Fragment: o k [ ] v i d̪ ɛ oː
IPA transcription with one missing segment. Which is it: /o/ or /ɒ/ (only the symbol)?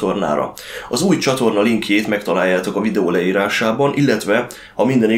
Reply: ɒ